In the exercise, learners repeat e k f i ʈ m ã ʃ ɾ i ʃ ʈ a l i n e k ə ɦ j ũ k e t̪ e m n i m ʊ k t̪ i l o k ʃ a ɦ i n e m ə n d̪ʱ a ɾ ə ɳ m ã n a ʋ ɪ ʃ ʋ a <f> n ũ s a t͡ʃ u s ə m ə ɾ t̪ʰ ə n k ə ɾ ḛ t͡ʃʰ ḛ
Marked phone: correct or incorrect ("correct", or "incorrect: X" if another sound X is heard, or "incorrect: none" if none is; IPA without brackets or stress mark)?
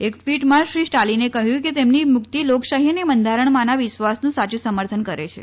incorrect: s